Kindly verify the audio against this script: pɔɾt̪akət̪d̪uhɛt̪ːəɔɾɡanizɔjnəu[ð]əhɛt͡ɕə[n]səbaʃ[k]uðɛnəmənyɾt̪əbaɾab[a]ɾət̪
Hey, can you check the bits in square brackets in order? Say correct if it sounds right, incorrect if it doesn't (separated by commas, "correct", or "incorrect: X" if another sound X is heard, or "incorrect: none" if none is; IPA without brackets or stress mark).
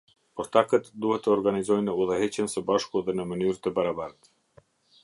correct, correct, correct, correct